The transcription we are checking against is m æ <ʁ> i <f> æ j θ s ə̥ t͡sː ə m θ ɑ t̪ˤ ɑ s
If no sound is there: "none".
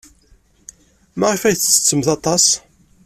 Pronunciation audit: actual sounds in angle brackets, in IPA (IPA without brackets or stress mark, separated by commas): ʁ, f